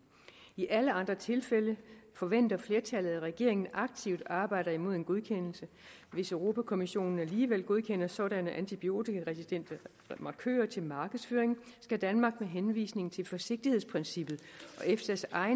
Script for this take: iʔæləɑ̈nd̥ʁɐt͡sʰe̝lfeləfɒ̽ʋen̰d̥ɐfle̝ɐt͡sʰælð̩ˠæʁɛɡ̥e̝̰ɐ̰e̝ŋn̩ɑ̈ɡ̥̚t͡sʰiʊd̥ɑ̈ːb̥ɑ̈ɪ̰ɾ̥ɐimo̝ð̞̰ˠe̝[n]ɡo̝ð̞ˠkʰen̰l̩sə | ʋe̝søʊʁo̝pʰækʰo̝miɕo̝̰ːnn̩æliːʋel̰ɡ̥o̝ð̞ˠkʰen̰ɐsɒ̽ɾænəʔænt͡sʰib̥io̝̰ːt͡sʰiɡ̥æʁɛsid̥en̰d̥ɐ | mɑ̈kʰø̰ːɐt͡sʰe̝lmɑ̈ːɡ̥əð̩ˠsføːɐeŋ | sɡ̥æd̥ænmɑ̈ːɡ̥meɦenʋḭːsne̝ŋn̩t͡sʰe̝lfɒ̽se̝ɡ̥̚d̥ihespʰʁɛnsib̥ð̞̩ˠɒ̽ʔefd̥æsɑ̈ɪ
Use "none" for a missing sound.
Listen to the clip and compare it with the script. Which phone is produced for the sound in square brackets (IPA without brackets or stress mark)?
n